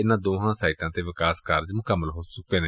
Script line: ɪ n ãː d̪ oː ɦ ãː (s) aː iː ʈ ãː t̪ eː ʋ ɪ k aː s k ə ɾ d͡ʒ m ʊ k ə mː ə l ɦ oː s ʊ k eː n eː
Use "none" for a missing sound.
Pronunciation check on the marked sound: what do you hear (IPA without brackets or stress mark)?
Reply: s